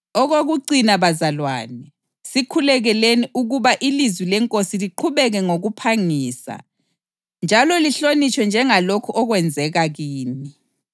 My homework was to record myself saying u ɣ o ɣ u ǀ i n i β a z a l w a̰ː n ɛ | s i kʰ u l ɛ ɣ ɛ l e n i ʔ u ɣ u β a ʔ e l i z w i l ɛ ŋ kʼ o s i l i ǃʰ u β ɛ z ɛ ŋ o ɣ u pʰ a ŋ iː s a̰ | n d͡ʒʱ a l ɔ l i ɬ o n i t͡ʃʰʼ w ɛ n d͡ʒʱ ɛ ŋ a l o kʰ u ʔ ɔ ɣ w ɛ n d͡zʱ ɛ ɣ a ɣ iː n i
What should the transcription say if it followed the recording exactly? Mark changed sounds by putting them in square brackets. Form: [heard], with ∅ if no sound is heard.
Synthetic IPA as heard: [ɔ] ɣ o ɣ u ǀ i n [a] β a z a l w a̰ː n ɛ | s i kʰ u l ɛ ɣ ɛ l e n i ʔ u ɣ u β a ʔ [i] l i z w i l ɛ ŋ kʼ o s i l i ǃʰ u β ɛ [ɣ] ɛ ŋ o ɣ u pʰ a ŋ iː s a̰ | n d͡ʒʱ a l ɔ l i ɬ o n i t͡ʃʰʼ w ɛ n d͡ʒʱ ɛ ŋ a l o kʰ u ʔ ɔ ɣ w ɛ n d͡zʱ ɛ ɣ a ɣ iː n i